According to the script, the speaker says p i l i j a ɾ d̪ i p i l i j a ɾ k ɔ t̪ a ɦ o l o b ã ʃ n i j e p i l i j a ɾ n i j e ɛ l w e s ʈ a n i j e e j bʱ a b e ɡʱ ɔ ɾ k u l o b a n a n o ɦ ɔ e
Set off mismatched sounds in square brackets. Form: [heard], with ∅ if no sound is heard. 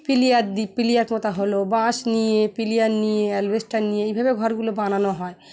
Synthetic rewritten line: p i l i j a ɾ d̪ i p i l i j a ɾ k ɔ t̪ a ɦ o l o b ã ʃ n i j e p i l i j a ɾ n i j e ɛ l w e s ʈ a n i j e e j bʱ a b e ɡʱ ɔ ɾ [ɡ] u l o b a n a n o ɦ ɔ e